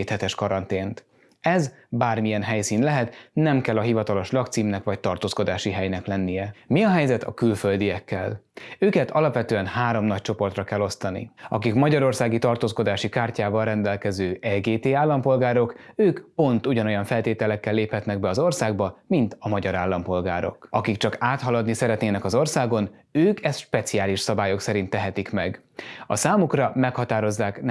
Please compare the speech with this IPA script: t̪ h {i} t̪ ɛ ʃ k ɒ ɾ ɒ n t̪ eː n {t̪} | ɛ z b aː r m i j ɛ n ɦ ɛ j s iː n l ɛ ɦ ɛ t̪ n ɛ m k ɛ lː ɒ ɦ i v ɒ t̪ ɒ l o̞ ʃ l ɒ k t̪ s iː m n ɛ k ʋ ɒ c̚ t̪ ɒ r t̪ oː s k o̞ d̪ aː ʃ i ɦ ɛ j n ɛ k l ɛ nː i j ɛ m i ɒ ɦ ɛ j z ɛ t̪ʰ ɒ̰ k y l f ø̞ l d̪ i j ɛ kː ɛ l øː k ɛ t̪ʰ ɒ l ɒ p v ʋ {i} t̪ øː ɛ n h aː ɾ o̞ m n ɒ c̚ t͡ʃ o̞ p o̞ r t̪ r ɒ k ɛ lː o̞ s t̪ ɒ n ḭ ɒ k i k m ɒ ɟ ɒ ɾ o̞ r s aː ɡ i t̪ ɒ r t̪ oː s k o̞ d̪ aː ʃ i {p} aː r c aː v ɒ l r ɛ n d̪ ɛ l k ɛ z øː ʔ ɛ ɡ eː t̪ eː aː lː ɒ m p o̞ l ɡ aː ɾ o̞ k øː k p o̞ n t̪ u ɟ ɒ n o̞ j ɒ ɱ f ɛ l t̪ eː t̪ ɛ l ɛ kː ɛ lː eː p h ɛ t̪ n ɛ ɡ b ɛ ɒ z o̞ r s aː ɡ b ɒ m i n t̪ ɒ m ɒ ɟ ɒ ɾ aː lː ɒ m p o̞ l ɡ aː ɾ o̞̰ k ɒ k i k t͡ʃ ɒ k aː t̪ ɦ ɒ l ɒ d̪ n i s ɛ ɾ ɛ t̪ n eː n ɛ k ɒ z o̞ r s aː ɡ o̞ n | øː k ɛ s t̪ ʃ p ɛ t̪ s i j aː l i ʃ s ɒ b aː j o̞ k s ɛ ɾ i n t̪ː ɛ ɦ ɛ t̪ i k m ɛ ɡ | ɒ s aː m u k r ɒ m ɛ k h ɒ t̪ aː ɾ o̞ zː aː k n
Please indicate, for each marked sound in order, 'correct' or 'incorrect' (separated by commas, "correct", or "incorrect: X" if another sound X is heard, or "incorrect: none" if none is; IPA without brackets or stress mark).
incorrect: ɛ, correct, incorrect: ɛ, incorrect: k